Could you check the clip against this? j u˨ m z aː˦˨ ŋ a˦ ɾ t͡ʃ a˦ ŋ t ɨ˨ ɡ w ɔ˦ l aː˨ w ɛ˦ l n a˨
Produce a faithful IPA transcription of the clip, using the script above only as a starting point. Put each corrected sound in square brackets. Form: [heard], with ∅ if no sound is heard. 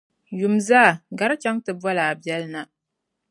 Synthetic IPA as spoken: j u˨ m z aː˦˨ [ɡ] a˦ ɾ t͡ʃ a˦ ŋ t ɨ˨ [b] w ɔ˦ l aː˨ [b] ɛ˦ l n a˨